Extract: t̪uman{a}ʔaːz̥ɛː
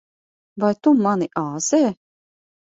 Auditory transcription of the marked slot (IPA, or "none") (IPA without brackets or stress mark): i